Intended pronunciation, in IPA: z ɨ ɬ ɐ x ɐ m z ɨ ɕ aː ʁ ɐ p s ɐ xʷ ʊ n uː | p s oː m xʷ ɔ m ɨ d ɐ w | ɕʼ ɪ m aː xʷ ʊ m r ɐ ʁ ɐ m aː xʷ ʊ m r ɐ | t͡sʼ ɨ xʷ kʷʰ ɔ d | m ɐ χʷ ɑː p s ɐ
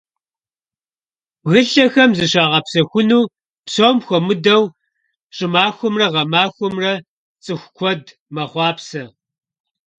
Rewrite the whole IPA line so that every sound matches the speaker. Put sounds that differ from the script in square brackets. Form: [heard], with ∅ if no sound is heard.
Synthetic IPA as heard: [ɣ] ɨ ɬ ɐ x ɐ m z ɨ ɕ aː ʁ ɐ p s ɐ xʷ ʊ n uː | p s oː m xʷ ɔ m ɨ d ɐ w | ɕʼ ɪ m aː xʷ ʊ m r ɐ ʁ ɐ m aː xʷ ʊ m r ɐ | t͡sʼ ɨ xʷ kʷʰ ɔ d | m ɐ χʷ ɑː p s ɐ